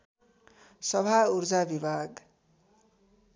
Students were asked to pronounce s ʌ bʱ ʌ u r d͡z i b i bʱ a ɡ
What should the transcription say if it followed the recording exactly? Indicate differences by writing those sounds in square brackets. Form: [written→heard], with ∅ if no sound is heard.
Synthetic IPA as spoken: s ʌ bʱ [ʌ→a] u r d͡z [i→a] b i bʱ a ɡ